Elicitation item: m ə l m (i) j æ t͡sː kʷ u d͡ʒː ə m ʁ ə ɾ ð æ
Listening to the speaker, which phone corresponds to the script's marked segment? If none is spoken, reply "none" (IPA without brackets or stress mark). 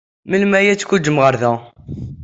æ